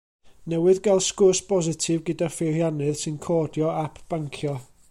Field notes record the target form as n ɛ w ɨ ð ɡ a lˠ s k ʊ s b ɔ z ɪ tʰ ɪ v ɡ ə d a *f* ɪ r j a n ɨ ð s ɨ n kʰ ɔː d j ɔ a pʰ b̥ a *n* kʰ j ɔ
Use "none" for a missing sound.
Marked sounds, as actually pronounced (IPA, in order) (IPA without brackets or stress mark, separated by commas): f, ŋ